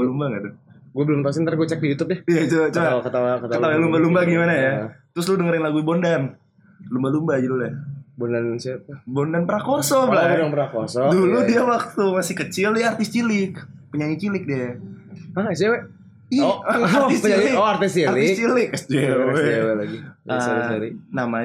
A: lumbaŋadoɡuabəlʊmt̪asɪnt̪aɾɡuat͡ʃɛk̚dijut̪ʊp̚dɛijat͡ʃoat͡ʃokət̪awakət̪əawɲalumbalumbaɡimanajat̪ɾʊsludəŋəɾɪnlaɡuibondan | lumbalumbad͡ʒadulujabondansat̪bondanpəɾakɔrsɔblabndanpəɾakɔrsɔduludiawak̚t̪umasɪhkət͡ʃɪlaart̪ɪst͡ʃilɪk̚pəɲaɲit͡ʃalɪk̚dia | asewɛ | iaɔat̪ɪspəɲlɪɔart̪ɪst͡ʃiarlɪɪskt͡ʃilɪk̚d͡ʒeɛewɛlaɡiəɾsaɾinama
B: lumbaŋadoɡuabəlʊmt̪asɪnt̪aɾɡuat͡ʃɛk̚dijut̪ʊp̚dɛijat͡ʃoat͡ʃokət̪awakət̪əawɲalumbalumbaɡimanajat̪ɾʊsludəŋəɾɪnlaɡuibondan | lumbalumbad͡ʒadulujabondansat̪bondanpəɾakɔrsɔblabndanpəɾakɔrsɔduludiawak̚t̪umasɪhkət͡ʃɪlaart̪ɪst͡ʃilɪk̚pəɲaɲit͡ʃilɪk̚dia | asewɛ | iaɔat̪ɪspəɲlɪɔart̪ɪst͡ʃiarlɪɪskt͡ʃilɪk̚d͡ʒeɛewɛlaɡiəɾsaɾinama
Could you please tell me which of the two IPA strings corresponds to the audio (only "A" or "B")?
B